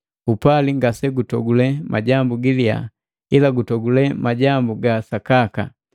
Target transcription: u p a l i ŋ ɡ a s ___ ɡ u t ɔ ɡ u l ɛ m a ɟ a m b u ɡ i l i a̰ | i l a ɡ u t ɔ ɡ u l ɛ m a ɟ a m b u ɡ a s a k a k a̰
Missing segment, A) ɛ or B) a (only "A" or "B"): A